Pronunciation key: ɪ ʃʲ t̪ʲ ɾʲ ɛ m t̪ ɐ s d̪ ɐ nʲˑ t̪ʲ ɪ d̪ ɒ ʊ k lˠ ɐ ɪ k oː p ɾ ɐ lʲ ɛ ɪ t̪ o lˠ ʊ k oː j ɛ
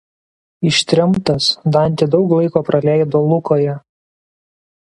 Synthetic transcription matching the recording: ɪ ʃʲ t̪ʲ ɾʲ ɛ m t̪ ɐ s d̪ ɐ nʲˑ t̪ʲ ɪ d̪ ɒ ʊ k lˠ ɐ ɪ k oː p ɾ ɐ lʲ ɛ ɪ d̪ o lˠ ʊ k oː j ɛ